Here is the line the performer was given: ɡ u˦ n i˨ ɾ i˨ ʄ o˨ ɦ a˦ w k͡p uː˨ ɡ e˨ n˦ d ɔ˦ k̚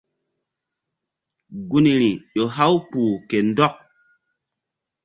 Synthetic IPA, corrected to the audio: ɡ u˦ n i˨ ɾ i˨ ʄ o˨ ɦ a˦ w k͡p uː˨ k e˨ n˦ d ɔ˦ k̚